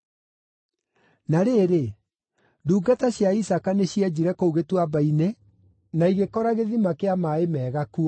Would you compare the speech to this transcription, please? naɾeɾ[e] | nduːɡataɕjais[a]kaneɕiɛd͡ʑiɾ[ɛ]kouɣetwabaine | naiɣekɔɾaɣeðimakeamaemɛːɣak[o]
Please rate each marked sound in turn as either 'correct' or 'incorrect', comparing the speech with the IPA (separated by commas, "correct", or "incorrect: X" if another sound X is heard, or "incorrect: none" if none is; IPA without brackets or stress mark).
correct, correct, correct, incorrect: u